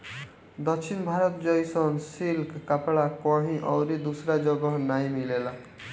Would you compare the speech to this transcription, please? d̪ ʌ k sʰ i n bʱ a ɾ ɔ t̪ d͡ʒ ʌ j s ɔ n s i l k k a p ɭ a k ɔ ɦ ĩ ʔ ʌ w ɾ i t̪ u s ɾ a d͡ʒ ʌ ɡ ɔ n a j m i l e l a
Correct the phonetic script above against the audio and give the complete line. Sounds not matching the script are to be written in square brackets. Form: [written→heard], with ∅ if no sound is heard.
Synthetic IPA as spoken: d̪ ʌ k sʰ i n bʱ a ɾ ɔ t̪ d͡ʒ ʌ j s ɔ n s i l k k a p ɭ a k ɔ ɦ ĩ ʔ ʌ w ɾ i [t̪→d̪] u s ɾ a d͡ʒ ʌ ɡ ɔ n a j m i l e l a